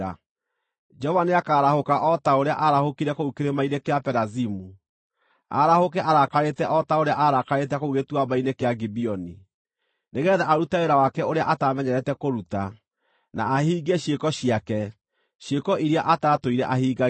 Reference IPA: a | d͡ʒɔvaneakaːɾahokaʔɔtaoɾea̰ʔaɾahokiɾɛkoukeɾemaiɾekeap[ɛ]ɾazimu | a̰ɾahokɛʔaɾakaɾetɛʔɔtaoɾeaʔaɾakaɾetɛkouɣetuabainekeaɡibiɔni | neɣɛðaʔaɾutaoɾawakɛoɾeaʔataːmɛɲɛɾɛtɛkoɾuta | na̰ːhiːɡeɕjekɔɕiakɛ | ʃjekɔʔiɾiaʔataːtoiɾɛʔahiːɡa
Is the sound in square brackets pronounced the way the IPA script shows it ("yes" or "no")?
yes